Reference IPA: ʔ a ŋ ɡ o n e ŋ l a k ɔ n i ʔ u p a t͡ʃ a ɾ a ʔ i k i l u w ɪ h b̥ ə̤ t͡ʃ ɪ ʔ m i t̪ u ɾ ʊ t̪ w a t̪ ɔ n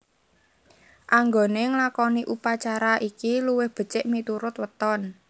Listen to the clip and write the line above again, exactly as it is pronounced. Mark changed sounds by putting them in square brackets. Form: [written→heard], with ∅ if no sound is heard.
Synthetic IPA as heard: ʔ a ŋ ɡ o n e ŋ l a k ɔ n i ʔ u p a t͡ʃ a ɾ a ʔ i k i l u w ɪ h b̥ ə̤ t͡ʃ ɪ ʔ m i t̪ u ɾ ʊ t̪ w [a→ə] t̪ ɔ n